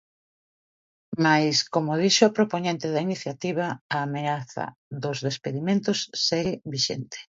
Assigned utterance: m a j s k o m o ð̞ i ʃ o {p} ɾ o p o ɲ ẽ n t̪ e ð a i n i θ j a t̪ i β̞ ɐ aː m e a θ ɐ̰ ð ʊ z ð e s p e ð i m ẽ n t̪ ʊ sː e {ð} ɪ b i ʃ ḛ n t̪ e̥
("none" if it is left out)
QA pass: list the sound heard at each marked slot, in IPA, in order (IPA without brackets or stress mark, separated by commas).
p, ɣ